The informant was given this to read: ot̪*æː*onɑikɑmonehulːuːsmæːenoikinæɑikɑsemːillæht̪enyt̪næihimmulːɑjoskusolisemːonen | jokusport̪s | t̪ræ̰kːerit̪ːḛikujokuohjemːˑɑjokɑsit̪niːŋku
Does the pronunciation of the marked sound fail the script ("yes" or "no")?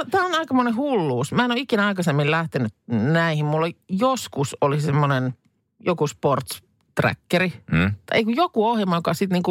no